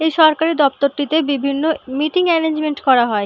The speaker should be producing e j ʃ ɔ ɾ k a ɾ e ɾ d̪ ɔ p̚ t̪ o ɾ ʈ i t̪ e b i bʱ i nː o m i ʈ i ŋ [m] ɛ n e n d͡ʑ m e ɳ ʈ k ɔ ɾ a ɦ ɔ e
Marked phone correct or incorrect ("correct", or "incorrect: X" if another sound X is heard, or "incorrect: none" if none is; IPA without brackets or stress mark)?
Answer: correct